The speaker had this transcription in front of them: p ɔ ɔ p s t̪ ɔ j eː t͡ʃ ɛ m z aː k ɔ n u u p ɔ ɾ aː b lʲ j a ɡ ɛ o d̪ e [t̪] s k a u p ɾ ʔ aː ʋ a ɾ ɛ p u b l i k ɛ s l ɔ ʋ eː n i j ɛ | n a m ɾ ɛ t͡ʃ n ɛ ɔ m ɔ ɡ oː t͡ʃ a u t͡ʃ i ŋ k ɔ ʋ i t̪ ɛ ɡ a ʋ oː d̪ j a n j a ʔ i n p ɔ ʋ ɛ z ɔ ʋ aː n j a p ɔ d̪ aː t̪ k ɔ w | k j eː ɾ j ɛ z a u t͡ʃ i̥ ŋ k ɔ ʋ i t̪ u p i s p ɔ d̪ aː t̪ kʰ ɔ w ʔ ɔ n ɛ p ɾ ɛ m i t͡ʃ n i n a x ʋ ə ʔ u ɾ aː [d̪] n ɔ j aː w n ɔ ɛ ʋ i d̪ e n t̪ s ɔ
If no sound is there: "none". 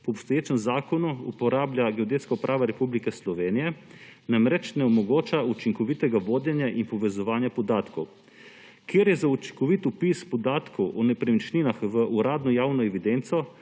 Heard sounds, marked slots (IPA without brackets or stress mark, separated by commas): t̪, d̪